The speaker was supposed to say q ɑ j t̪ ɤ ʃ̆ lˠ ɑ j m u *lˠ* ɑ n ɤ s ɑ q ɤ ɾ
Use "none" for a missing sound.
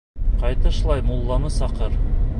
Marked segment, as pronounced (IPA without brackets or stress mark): lˠː